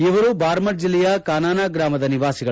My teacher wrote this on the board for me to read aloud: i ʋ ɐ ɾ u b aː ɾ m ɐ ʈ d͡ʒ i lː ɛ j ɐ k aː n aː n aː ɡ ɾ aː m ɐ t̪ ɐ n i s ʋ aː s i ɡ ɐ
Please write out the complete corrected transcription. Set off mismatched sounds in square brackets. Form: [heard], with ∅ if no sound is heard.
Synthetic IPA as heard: i ʋ ɐ ɾ u b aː ɾ m ɐ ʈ d͡ʒ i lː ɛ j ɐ k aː n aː n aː ɡ ɾ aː m ɐ [d̪] ɐ n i [∅] ʋ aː s i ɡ ɐ